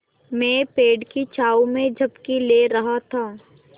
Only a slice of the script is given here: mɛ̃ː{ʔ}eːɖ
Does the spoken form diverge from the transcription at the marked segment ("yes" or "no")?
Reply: yes